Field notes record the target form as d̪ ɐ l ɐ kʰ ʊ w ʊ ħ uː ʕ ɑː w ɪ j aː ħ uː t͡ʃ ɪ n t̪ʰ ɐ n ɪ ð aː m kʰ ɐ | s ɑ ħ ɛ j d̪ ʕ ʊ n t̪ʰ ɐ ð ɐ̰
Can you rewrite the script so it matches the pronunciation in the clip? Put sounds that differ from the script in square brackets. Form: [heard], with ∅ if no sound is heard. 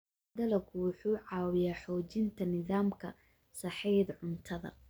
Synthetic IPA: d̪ ɐ l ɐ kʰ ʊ w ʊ ħ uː ʕ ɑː w ɪ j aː ħ [ɔː] t͡ʃ ɪ n t̪ʰ ɐ n ɪ ð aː m kʰ ɐ | s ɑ ħ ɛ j d̪ ʕ ʊ n t̪ʰ ɐ ð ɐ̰